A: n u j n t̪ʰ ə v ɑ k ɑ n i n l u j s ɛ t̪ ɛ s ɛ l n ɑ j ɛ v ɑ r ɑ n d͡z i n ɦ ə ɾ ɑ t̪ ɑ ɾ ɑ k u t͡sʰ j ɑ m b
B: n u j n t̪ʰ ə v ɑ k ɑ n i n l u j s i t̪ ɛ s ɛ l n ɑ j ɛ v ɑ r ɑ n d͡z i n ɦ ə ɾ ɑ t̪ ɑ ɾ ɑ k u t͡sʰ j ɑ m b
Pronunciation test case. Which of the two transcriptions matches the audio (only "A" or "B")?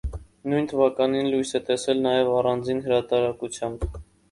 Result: A